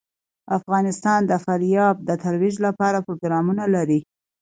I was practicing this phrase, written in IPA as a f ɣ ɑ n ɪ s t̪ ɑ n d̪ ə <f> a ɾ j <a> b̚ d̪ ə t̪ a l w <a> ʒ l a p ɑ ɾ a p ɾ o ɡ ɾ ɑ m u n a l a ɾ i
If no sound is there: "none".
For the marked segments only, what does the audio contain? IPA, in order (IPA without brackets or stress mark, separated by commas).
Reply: f, ɑ, i